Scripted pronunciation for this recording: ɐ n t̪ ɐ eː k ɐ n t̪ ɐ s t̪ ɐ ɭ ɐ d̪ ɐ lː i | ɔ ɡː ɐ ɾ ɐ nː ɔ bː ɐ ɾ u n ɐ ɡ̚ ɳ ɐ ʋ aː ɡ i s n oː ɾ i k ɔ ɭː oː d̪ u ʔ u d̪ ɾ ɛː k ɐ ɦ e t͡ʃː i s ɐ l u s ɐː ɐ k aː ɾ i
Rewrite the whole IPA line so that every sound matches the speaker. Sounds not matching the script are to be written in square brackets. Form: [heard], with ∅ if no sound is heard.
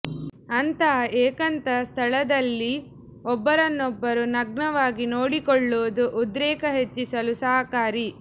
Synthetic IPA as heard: ɐ n t̪ ɐ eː k ɐ n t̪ ɐ s [t̪ʰ] ɐ ɭ ɐ d̪ ɐ lː i | ɔ [bː] ɐ ɾ ɐ nː ɔ bː ɐ ɾ u n ɐ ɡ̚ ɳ ɐ ʋ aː ɡ i [∅] n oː [ɽ] i k ɔ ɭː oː d̪ u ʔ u d̪ ɾ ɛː k ɐ ɦ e t͡ʃː i s ɐ l u s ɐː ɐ k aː ɾ i